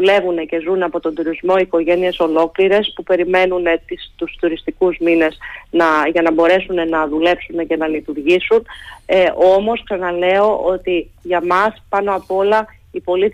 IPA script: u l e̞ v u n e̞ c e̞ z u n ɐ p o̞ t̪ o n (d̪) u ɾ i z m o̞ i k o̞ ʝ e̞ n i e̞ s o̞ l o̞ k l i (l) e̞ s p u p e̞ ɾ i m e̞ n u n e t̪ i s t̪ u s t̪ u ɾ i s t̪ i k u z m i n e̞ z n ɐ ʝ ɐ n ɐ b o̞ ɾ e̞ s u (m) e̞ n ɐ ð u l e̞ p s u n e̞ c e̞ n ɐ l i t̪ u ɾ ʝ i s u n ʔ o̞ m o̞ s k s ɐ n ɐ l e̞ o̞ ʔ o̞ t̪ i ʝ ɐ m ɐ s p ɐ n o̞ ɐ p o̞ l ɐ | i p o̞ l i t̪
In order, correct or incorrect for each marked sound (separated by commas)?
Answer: correct, incorrect, incorrect